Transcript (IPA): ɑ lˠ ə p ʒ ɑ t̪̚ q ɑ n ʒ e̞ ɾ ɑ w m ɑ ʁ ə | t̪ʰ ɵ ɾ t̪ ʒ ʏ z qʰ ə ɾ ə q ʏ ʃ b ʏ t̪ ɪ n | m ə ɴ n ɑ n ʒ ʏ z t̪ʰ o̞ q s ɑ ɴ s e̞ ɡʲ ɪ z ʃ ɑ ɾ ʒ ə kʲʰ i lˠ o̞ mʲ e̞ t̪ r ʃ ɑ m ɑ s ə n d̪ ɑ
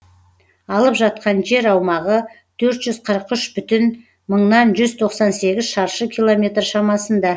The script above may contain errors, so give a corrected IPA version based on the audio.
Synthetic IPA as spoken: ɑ lˠ ə p ʒ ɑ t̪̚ q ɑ n ʒ e̞ ɾ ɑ w m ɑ ʁ ə | t̪ʰ ɵ ɾ t̪ ʒ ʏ z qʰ ə ɾ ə q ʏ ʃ b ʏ t̪ ɪ n | m ə ɴ n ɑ n ʒ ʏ z t̪ʰ o̞ q s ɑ n s e̞ ɡʲ ɪ z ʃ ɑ ɾ ʃ ə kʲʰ i lˠ o̞ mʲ e̞ t̪ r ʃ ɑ m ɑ s ə n d̪ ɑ